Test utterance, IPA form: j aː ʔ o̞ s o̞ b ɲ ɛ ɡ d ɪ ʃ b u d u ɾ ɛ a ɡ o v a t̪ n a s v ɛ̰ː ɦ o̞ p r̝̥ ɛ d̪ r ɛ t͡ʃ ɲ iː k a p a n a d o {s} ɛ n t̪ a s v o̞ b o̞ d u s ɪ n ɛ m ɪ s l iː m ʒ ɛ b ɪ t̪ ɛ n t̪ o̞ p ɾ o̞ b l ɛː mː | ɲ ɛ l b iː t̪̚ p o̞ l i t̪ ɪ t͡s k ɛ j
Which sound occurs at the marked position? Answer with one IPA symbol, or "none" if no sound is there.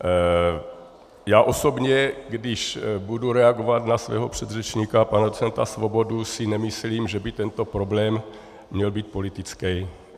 t͡s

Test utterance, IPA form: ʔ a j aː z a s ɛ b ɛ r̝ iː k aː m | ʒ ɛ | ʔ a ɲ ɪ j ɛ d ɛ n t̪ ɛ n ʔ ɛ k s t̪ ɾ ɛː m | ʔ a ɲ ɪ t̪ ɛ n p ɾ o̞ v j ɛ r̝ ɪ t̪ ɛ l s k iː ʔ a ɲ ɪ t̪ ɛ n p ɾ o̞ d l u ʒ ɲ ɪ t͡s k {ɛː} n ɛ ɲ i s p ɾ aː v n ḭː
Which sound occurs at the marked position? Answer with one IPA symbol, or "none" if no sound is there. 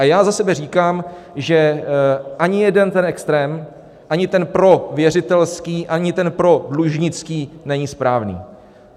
iː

